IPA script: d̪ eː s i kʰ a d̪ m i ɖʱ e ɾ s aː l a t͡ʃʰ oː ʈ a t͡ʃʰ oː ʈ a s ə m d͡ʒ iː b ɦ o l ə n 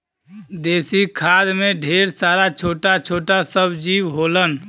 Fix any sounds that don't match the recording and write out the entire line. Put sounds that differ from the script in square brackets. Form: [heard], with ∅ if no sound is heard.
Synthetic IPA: d̪ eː s i kʰ a d̪ m [e] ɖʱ e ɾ s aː [ɾ] a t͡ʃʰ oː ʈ a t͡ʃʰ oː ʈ a s ə [b] d͡ʒ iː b ɦ o l ə n